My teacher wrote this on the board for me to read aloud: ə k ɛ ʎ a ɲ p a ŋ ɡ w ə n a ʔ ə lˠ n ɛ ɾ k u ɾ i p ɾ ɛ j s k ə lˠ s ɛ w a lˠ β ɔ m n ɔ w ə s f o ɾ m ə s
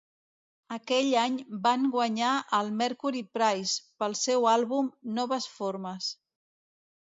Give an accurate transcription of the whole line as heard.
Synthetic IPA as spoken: ə k ɛ ʎ a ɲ b a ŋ ɡ w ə ɲ a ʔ ə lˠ m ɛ ɾ k u ɾ i p ɾ a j s p ə lˠ s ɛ w a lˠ β u m n ɔ β ə s f o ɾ m ə s